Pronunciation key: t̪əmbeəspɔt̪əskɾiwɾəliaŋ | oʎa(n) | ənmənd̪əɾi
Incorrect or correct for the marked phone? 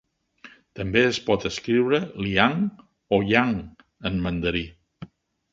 incorrect: ŋ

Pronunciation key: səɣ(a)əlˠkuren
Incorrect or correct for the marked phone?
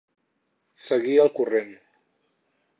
incorrect: i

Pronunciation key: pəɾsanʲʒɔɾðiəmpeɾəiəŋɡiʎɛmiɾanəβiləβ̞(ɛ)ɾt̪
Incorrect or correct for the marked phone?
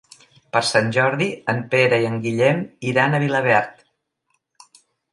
correct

